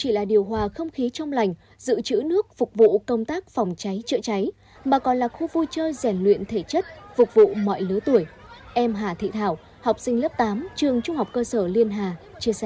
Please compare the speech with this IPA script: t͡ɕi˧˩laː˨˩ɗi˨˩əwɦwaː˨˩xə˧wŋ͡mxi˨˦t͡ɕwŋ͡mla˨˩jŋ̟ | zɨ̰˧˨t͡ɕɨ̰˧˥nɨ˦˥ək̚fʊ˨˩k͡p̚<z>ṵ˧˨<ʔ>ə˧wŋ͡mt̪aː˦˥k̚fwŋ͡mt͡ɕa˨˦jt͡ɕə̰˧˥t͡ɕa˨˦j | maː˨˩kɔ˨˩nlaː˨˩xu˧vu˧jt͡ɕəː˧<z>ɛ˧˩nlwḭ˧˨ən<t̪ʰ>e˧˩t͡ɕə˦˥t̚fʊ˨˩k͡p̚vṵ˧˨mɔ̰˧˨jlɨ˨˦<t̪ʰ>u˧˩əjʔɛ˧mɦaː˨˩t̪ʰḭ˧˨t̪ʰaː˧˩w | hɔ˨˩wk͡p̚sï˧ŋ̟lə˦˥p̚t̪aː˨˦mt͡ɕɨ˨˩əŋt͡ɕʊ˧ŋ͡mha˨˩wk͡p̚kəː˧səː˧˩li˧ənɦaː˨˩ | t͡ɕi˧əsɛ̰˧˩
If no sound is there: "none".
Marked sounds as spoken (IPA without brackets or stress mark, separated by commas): v, k, z, t̪ʰ, t̪